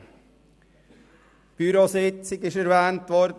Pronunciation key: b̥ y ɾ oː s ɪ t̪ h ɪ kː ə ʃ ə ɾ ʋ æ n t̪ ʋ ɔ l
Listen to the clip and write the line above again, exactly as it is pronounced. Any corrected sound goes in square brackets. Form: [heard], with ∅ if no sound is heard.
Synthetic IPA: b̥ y ɾ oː s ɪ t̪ [s] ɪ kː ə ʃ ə ɾ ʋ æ n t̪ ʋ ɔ [ɾ]